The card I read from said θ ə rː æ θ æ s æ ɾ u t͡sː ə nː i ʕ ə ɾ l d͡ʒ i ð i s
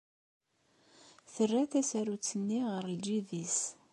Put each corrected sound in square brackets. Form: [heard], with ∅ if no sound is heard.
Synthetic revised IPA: θ ə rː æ θ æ s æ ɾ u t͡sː ə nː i [ʁ] ə ɾ l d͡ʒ i ð i s